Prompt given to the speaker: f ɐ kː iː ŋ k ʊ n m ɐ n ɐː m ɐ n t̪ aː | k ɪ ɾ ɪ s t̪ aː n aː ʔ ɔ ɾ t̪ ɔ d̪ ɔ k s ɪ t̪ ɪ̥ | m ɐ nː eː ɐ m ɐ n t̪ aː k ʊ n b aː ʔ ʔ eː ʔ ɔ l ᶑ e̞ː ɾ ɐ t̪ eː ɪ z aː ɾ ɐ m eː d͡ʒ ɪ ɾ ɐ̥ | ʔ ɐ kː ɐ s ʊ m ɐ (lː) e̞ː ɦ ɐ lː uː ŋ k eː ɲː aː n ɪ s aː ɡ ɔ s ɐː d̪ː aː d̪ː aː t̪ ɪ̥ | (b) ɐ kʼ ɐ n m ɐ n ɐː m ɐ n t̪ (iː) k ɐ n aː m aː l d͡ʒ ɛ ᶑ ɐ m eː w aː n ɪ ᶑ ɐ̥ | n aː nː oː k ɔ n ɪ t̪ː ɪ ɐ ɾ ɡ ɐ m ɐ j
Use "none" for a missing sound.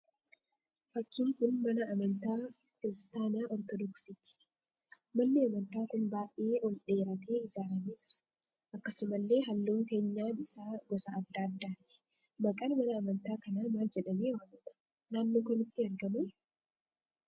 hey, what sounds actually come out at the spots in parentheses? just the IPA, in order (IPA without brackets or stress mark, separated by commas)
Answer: lː, b, aː